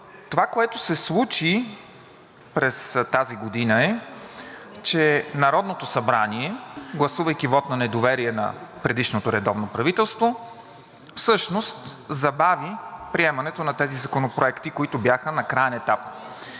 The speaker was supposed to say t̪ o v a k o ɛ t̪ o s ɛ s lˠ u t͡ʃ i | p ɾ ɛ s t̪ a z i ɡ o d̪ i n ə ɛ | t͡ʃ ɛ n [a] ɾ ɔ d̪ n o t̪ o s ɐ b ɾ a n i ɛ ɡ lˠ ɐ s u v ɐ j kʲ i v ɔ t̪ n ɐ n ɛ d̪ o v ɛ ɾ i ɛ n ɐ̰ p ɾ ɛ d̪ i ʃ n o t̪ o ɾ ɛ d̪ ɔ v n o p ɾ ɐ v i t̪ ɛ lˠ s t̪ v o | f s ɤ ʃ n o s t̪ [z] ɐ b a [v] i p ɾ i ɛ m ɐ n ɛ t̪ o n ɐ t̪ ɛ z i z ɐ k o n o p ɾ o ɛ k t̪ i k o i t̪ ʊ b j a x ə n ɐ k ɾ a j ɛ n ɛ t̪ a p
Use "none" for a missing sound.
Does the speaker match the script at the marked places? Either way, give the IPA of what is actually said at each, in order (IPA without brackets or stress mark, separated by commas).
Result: ɐ, z, v